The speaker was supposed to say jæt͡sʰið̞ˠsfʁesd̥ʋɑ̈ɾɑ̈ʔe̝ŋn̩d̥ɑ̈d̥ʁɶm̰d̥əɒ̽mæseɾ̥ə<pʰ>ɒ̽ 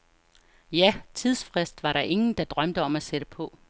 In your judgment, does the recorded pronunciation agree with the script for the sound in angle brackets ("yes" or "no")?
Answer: yes